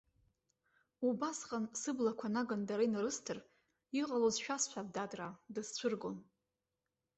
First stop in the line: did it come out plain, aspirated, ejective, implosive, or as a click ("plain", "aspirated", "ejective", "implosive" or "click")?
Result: plain